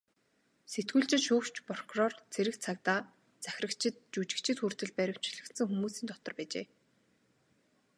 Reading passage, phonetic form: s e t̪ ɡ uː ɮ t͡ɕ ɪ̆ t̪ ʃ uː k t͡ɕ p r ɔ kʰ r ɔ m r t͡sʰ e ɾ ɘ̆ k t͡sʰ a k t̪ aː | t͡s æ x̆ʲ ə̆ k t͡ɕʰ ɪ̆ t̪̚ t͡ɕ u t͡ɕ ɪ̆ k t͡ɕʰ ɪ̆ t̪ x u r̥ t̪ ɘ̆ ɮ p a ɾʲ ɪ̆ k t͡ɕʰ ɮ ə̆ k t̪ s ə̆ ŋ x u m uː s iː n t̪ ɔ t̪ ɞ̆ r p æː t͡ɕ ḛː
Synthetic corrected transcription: s e t̪ ɡ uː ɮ t͡ɕ ɪ̆ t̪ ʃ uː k t͡ɕ p r ɔ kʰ r ɔ r t͡sʰ e ɾ ɘ̆ k t͡sʰ a k t̪ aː | t͡s æ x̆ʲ ə̆ k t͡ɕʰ ɪ̆ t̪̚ t͡ɕ u t͡ɕ ɪ̆ k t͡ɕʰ ɪ̆ t̪ x u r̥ t̪ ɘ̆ ɮ p æ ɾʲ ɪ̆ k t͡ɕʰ ɮ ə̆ k t̪ s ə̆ ŋ x u m uː s iː n t̪ ɔ t̪ ɞ̆ r p æː t͡ɕ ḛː